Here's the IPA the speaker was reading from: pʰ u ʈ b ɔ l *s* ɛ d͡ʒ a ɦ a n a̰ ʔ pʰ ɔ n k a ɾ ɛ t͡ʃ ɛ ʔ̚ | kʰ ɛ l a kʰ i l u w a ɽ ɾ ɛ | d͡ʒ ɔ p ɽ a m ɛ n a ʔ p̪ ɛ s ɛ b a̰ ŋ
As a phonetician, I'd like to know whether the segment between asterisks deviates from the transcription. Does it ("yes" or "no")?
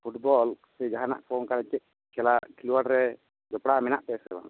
no